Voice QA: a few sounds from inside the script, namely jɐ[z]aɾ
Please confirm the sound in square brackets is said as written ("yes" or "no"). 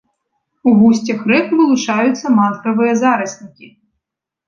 yes